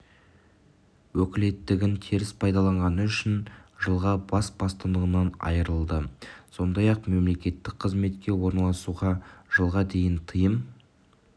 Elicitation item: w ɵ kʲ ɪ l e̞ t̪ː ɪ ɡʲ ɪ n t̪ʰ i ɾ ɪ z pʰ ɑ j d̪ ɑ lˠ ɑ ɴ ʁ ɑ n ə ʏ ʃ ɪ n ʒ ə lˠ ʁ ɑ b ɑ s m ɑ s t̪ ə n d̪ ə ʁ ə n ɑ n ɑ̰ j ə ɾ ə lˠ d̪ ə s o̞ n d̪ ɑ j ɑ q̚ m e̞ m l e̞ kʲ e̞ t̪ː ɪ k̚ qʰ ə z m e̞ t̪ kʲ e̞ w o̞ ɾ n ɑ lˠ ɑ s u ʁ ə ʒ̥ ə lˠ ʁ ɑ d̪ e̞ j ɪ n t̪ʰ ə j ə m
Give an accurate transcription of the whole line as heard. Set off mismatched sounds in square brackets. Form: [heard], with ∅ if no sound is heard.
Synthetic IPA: w ɵ kʲ ɪ l e̞ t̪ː ɪ ɡʲ ɪ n t̪ʰ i ɾ ɪ [s] pʰ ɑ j d̪ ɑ lˠ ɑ ɴ ʁ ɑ n ə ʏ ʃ ɪ n ʒ ə lˠ ʁ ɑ b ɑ s [b] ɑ s t̪ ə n d̪ ə ʁ ə n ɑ n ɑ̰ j ə ɾ ə lˠ d̪ ə s o̞ n d̪ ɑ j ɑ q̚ m e̞ m l e̞ kʲ e̞ t̪ː ɪ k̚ qʰ ə z m e̞ t̪ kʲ e̞ w o̞ ɾ n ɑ lˠ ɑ s u ʁ [ɑ] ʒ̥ ə lˠ ʁ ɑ d̪ e̞ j ɪ n t̪ʰ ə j ə m